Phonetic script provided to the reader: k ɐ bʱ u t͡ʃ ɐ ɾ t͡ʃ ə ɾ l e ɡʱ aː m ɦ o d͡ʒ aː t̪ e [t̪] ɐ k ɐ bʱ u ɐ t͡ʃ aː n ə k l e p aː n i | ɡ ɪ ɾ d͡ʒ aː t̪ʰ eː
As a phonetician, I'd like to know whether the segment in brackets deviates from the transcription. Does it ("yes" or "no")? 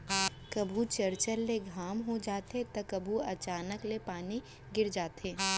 no